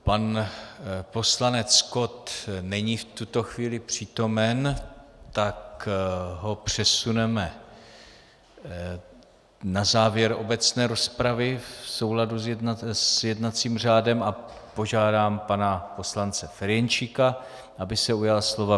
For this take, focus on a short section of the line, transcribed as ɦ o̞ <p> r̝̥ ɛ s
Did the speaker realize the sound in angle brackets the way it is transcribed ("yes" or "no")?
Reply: yes